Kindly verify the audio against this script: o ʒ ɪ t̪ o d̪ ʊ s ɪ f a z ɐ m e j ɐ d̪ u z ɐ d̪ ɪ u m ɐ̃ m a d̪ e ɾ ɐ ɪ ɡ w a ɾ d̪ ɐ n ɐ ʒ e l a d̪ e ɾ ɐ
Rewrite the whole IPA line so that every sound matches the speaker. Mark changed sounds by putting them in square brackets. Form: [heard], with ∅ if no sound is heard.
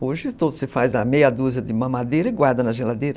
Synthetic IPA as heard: o ʒ ɪ t̪ o d̪ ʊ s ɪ f a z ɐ m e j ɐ d̪ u z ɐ d̪ ɪ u m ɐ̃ m a d̪ e ɾ ɐ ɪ ɡ w a ɾ d̪ ɐ n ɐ ʒ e l a d̪ e ɾ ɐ

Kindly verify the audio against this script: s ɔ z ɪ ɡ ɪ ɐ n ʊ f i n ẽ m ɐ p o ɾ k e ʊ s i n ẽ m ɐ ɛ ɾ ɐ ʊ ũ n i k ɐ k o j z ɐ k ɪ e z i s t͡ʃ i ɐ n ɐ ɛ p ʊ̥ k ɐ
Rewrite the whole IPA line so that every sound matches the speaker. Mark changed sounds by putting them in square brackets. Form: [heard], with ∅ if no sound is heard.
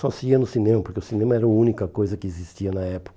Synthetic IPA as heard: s ɔ [s] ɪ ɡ [i] ɐ n ʊ [s] i n ẽ m ɐ p o ɾ k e ʊ s i n ẽ m ɐ ɛ ɾ ɐ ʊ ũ n i k ɐ k o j z ɐ k ɪ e z i s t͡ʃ i ɐ n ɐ ɛ p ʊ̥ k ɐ

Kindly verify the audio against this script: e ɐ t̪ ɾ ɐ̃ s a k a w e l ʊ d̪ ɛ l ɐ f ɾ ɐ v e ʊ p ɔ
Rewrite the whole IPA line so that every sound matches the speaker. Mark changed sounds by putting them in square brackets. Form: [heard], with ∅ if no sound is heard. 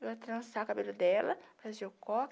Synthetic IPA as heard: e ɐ t̪ ɾ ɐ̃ s a k a [b] e l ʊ d̪ ɛ l ɐ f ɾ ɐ [z] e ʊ [k] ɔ

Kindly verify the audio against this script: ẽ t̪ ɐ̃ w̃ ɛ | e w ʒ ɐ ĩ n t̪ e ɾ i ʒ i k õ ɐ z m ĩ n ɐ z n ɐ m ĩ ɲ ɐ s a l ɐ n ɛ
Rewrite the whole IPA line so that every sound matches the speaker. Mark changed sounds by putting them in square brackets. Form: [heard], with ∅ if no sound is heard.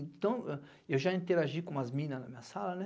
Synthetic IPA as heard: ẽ t̪ ɐ̃ w̃ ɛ | e w ʒ [a] ĩ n t̪ e ɾ [a] ʒ i k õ ɐ z m ĩ n ɐ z n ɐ m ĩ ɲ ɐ s a l ɐ n ɛ

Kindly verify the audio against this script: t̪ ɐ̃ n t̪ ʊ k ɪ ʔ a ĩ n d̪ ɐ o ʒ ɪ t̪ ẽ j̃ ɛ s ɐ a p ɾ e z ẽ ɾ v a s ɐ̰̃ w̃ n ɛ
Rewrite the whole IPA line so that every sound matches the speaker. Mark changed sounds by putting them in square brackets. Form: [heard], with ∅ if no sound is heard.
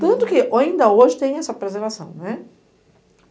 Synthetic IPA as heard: t̪ ɐ̃ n t̪ ʊ k ɪ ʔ a ĩ n d̪ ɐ o ʒ ɪ t̪ ẽ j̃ ɛ s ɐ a p ɾ e z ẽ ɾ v a s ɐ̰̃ w̃ n ɛ

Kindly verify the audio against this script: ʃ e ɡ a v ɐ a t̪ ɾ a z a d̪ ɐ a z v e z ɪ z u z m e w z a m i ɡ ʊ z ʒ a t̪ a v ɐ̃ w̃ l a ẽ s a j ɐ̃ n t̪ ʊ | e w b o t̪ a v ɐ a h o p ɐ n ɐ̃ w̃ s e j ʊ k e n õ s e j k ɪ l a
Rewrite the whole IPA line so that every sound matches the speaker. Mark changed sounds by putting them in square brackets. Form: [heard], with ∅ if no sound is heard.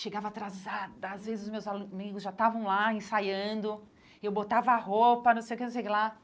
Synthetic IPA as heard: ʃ e ɡ a v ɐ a t̪ ɾ a z a d̪ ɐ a z v e z ɪ z [ʊ] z m e w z a m i ɡ ʊ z ʒ a t̪ a v ɐ̃ w̃ l a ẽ s a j ɐ̃ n [d̪] ʊ | e w b o t̪ a v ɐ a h o p ɐ n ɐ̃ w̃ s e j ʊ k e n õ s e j k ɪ l a

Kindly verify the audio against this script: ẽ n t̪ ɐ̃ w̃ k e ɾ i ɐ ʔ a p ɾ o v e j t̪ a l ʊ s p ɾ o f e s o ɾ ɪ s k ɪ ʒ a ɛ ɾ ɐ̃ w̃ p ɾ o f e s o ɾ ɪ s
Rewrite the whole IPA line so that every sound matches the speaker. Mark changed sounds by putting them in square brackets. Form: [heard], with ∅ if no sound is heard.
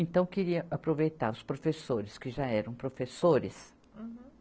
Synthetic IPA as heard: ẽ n t̪ ɐ̃ w̃ k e ɾ i ɐ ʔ a p ɾ o v e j t̪ a [ɾ] ʊ s p ɾ o f e s o ɾ ɪ s k ɪ ʒ a ɛ ɾ ɐ̃ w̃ p ɾ o f e s o ɾ ɪ s

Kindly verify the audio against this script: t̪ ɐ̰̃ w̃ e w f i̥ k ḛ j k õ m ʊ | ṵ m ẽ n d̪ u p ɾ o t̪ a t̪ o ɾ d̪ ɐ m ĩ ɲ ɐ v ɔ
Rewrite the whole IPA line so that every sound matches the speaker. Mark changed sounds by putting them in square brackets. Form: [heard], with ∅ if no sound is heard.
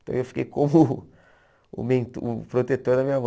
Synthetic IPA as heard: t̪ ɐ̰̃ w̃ e w f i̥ k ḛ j k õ m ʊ | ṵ m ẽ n [t̪] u p ɾ o t̪ [e] t̪ o ɾ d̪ ɐ m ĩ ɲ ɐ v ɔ

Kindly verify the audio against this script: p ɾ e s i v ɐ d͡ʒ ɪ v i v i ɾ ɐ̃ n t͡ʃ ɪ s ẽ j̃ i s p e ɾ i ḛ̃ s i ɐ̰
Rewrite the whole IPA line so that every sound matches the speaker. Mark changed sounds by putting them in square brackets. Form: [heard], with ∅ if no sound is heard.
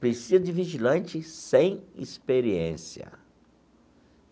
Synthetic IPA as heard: p ɾ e s i [z] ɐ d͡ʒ ɪ v i [ʒ] i [l] ɐ̃ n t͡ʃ ɪ s ẽ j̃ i s p e ɾ i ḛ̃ s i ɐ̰

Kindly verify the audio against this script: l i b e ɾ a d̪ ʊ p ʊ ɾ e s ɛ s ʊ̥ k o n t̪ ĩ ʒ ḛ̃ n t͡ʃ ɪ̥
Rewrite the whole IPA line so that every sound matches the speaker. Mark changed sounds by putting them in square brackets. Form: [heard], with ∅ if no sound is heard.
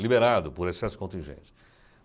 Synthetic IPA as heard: l i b e ɾ a d̪ ʊ p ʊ ɾ e s ɛ s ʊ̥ k [õ] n t̪ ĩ ʒ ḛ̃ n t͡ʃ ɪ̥

